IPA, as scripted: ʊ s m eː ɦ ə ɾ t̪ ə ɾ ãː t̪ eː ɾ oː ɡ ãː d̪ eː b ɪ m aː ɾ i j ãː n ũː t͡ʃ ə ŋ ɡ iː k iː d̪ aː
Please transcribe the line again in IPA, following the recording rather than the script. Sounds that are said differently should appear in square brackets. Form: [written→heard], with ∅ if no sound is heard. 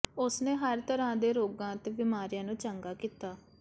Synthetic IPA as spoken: ʊ s [m→n] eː ɦ ə ɾ t̪ ə ɾ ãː [t̪→d̪] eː ɾ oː ɡ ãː [d̪→t̪] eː b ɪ m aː ɾ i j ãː n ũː t͡ʃ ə ŋ ɡ [iː→aː] k iː [d̪→t̪] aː